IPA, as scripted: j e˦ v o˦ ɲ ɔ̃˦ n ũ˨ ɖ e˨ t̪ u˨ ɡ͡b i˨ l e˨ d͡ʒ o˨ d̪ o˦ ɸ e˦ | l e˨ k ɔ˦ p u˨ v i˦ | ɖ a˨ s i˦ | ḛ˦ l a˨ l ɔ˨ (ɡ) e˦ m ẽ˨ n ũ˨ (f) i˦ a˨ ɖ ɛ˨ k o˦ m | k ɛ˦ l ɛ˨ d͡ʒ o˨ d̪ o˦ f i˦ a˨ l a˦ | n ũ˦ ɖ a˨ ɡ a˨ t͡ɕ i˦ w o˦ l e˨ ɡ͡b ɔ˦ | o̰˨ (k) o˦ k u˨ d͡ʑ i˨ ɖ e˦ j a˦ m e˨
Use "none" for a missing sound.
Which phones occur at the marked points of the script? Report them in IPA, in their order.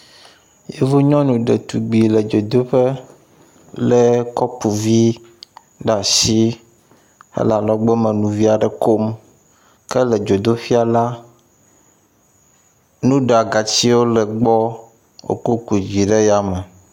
ɡ͡b, v, k

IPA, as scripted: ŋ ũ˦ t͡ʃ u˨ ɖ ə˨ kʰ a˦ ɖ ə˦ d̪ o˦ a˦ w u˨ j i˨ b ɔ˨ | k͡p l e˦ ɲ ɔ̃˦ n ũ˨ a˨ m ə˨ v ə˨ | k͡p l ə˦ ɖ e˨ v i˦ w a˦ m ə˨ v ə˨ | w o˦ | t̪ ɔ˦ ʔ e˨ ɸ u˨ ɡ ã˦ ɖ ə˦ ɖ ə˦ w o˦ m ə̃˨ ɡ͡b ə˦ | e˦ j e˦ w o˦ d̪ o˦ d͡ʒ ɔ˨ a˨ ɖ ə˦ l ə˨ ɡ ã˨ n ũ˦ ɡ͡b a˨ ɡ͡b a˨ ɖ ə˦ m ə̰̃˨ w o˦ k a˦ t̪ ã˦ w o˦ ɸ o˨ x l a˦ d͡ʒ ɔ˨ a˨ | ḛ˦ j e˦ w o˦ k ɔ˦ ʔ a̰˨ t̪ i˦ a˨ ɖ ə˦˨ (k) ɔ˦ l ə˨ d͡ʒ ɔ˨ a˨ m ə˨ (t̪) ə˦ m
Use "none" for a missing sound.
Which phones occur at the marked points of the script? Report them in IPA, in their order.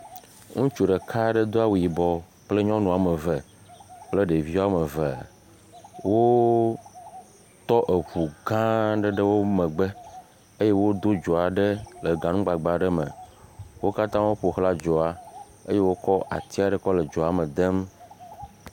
k, d̪

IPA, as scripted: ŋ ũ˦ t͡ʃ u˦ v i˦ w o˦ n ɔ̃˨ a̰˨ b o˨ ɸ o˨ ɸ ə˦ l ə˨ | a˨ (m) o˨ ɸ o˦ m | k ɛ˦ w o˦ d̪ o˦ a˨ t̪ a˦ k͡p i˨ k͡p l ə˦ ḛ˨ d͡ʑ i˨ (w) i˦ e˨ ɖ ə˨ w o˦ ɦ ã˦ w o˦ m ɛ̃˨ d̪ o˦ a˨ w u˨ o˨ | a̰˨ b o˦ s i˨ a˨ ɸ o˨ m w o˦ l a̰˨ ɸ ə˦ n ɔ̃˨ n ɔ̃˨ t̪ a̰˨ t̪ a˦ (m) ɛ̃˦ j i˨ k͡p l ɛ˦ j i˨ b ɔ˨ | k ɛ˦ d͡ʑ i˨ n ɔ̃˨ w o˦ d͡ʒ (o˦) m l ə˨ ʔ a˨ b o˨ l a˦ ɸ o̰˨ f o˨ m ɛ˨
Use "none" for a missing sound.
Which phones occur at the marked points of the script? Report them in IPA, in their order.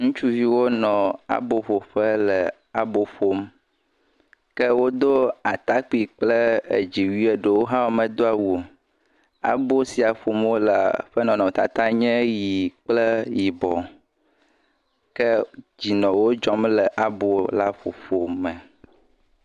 b, w, ɲ, ɔ˦

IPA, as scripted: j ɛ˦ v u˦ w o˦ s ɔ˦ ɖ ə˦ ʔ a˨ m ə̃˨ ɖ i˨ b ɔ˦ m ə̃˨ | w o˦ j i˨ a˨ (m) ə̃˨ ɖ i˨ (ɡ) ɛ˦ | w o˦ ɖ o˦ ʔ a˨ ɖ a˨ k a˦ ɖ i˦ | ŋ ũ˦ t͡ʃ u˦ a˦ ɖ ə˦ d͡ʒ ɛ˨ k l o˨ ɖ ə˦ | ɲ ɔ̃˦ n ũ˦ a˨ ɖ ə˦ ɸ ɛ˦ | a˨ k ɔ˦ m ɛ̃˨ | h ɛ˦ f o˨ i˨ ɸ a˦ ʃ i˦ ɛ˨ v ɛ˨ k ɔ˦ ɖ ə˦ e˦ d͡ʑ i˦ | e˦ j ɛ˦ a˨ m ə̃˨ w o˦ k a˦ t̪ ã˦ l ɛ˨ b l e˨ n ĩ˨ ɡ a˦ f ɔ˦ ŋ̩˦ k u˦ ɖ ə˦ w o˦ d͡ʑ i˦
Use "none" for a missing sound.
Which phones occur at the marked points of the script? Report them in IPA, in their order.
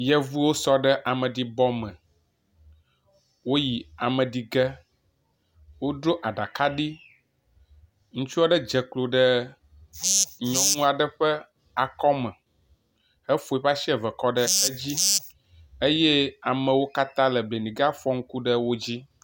m, ɡ

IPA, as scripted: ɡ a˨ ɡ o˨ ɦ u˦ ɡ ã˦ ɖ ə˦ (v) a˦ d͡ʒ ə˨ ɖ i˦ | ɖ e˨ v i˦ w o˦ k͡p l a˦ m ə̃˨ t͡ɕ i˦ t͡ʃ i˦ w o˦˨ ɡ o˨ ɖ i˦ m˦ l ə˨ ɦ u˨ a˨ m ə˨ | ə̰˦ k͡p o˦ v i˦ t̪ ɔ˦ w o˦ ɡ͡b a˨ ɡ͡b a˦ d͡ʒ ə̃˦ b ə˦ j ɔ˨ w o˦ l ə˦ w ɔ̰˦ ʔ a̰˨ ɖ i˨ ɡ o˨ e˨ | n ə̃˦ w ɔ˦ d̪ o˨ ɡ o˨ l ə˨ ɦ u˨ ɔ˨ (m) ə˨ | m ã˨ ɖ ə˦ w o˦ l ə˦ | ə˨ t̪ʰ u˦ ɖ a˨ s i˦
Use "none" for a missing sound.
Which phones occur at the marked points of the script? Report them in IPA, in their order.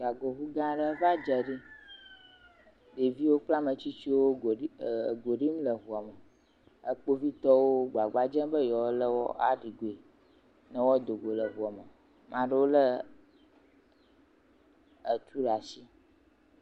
v, m

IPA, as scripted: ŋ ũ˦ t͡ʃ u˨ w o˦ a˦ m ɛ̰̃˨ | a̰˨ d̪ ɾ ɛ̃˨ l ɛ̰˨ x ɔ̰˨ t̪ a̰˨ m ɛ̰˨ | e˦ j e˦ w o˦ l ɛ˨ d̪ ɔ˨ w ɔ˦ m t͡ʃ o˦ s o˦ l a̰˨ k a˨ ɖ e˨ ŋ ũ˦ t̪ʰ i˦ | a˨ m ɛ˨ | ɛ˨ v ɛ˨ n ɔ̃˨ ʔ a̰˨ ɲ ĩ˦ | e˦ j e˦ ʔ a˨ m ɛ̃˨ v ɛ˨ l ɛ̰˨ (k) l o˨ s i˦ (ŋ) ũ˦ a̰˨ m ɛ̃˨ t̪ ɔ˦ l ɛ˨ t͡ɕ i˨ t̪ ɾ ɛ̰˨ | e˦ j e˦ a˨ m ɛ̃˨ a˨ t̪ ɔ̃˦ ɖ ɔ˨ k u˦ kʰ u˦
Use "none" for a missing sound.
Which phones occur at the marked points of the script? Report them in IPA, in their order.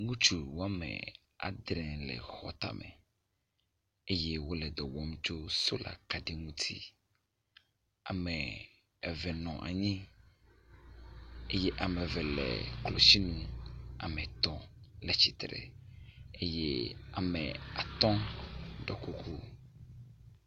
k, n

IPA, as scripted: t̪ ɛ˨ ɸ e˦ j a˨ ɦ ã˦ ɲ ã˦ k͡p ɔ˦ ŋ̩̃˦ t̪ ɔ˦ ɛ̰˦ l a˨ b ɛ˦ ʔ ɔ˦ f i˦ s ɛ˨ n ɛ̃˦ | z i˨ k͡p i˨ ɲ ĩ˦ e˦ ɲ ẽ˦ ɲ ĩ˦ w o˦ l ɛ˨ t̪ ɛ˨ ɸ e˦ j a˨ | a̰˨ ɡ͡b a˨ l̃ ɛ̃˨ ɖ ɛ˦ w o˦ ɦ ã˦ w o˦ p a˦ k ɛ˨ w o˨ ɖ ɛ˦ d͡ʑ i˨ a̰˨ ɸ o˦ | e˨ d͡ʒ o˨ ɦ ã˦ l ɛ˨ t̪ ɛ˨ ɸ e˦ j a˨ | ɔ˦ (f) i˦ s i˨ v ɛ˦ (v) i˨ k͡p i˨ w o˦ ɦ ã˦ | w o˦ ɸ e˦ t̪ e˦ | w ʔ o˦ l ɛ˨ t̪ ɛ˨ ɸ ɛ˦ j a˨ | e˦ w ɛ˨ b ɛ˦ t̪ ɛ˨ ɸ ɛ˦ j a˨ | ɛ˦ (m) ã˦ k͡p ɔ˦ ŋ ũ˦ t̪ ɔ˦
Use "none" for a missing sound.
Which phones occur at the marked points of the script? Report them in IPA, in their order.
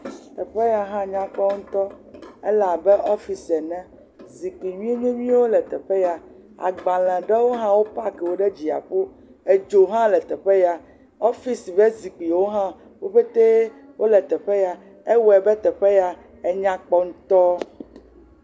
f, z, ɲ

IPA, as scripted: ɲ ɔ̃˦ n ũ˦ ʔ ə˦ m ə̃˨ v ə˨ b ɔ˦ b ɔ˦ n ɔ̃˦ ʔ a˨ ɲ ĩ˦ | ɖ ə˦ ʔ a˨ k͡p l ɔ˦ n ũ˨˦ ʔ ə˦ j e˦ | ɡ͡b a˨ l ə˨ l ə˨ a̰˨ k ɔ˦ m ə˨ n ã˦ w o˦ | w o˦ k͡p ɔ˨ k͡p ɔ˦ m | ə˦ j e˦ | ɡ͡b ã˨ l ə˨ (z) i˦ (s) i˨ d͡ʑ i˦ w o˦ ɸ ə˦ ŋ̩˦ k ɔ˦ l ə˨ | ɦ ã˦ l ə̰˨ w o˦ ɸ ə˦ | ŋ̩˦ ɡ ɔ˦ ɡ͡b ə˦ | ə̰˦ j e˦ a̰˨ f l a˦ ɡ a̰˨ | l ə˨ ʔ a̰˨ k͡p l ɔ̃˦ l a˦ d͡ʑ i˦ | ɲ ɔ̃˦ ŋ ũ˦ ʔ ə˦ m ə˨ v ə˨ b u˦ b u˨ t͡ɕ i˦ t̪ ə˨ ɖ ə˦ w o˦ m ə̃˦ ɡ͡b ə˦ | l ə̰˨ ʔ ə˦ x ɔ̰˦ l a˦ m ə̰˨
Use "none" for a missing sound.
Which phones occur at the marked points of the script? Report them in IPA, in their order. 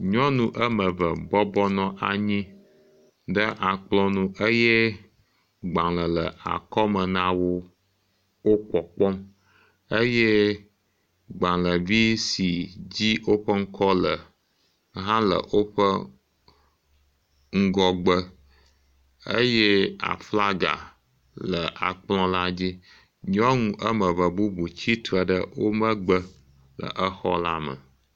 v, s

